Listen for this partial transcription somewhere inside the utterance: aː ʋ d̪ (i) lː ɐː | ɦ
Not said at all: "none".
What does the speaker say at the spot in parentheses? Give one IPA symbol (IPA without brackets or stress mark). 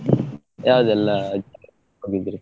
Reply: ɛ